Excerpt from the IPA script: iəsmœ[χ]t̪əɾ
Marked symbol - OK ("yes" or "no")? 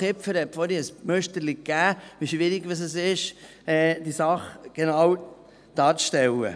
no